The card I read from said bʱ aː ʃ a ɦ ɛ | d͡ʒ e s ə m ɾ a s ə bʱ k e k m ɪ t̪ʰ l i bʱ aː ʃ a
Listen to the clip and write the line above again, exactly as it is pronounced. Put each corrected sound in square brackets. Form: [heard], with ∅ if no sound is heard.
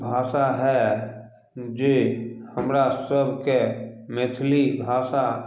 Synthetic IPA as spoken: bʱ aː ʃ a ɦ ɛ | d͡ʒ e [h] ə m ɾ a s ə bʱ k e [∅] m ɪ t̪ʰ l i bʱ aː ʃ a